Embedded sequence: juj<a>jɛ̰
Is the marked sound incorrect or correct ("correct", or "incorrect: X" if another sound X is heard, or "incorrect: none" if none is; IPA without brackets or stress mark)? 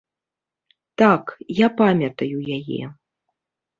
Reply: correct